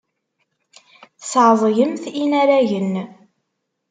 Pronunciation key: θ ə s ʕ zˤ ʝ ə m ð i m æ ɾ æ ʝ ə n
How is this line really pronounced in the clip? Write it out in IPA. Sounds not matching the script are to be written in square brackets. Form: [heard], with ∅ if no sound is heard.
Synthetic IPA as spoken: θ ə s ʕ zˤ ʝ ə m [θ] i [n] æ ɾ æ ʝ ə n